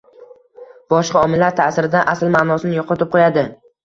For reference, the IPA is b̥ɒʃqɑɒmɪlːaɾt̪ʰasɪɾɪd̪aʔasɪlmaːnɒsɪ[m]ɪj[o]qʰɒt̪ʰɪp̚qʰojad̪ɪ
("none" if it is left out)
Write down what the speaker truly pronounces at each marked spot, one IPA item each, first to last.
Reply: n, ɒ

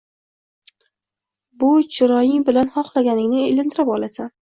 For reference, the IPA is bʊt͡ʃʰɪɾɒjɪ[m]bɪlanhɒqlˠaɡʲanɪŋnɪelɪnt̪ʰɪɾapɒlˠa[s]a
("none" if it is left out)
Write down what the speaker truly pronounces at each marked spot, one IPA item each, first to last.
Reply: ŋ, s

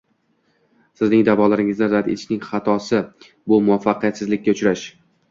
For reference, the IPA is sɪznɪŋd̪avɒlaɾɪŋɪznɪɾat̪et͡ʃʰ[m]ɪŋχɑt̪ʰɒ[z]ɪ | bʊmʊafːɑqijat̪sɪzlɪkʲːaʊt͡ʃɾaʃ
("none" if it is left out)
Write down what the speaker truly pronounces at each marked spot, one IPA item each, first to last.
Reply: n, s

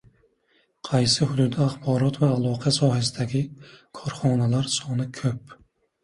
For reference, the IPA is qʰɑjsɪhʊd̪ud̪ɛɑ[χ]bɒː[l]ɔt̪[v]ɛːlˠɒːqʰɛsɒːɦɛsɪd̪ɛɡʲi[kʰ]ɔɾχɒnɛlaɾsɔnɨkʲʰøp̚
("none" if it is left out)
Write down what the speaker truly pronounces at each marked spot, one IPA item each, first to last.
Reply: χ, ɾ, v, kʰ

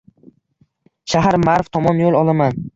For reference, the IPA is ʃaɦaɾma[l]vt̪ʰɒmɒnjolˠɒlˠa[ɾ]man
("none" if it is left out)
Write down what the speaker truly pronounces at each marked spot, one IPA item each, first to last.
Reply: ɾ, none

